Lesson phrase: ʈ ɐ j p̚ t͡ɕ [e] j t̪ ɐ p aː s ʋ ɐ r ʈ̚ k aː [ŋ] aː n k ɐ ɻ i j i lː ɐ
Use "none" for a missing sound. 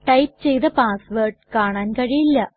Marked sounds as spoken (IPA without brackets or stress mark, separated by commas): e, ɳ